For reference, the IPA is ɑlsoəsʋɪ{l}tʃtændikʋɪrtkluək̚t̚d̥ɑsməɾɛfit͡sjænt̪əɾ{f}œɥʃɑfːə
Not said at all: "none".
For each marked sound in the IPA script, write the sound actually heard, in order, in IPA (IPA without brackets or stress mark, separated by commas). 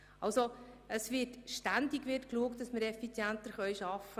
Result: none, χ